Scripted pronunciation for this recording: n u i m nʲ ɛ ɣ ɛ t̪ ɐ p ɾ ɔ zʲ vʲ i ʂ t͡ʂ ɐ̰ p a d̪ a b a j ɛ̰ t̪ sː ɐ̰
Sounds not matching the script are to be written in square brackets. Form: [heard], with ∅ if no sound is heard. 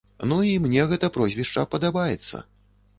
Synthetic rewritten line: n u i m nʲ ɛ ɣ ɛ t̪ ɐ p ɾ ɔ zʲ vʲ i ʂ t͡ʂ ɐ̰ p [ɐ] d̪ a b a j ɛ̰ t̪ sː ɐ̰